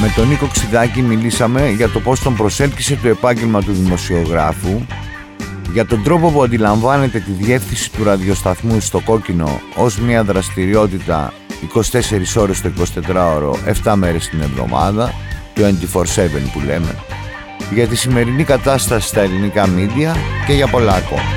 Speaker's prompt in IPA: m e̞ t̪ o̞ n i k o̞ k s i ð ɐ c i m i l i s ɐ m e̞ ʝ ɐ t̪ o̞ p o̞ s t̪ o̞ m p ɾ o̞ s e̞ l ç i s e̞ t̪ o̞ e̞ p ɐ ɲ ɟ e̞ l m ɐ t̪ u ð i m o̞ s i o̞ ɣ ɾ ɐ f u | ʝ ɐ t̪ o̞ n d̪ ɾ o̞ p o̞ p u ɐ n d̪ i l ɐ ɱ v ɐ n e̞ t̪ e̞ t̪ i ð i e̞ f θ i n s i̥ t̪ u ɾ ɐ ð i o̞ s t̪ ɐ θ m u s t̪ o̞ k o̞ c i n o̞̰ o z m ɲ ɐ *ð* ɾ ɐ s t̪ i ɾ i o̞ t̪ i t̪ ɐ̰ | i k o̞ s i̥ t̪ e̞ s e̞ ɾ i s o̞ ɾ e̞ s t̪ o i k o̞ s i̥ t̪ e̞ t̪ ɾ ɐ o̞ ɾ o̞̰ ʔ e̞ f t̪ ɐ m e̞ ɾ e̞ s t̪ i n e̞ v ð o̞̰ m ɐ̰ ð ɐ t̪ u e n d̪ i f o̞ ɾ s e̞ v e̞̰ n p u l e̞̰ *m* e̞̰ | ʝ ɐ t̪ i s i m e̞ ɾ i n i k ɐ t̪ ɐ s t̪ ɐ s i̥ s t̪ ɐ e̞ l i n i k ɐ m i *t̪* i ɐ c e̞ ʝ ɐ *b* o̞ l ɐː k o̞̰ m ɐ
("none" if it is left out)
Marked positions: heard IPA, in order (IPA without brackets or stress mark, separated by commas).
ð, m, d̪, p